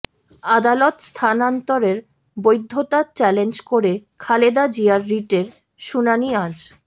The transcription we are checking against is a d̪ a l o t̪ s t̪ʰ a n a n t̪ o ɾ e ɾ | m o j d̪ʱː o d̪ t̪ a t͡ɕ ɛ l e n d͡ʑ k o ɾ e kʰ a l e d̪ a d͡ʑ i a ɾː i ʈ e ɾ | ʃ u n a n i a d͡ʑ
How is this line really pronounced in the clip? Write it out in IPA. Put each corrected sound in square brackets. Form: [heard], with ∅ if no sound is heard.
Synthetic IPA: a d̪ a l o t̪ s t̪ʰ a n a n t̪ o ɾ e ɾ | [b] o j d̪ʱː o [∅] t̪ a t͡ɕ ɛ l e n d͡ʑ k o ɾ e kʰ a l e d̪ a d͡ʑ i a ɾː i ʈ e ɾ | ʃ u n a n i a d͡ʑ